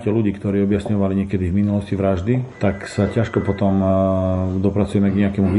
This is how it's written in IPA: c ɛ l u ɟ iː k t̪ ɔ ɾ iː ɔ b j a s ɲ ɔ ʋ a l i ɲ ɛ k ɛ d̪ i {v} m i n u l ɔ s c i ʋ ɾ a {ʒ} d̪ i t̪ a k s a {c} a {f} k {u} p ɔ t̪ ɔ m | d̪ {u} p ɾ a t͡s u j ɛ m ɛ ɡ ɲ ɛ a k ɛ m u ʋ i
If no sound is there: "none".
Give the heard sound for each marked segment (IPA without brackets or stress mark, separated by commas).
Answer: v, ʒ, c, ʃ, ɔ, ɔ